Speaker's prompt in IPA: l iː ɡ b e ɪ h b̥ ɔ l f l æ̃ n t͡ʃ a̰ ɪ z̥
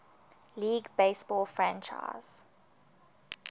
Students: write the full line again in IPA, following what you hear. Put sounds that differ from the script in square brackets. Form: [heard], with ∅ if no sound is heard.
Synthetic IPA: l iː ɡ b e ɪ [s] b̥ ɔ l f [ɹ] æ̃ n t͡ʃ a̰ ɪ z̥